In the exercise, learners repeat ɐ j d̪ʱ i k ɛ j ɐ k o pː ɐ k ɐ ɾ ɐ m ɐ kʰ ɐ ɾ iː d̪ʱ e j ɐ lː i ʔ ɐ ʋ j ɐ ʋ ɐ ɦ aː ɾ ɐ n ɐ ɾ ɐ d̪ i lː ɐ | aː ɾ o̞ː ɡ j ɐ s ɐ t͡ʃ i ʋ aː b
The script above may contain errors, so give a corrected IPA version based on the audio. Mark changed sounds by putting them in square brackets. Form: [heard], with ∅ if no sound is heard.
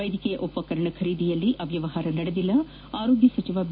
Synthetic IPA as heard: ɐ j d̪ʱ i k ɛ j ɐ [ʔ] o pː ɐ k ɐ ɾ ɐ [ɳ] ɐ kʰ ɐ ɾ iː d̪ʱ [i] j ɐ lː i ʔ ɐ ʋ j ɐ ʋ ɐ ɦ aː ɾ ɐ n ɐ [ɽ] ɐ d̪ i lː ɐ | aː ɾ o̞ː ɡ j ɐ s ɐ t͡ʃ i ʋ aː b